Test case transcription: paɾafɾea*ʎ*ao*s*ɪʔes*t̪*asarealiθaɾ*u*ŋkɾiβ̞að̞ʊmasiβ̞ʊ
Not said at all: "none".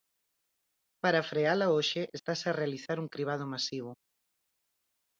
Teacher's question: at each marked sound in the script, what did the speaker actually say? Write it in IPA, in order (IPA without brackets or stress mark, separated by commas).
l, ʃ, t̪, u